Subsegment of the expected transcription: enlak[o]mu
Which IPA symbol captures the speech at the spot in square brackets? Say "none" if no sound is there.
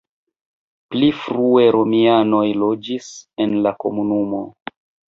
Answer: o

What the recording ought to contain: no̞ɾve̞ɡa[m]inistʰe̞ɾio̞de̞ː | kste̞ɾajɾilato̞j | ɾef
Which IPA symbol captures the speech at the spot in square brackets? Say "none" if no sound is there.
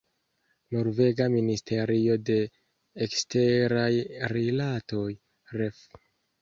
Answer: m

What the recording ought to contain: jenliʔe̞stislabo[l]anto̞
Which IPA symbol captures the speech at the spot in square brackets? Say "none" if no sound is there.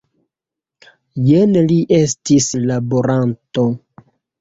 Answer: ɾ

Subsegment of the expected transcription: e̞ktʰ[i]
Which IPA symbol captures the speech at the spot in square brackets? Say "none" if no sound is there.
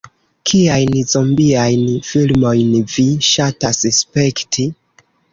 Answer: i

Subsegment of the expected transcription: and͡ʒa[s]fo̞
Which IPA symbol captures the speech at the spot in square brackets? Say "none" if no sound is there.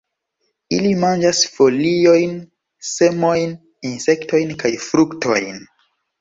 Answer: s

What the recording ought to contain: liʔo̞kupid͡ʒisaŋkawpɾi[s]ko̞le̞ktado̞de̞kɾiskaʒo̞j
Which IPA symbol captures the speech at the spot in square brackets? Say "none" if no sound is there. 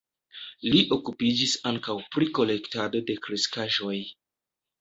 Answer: none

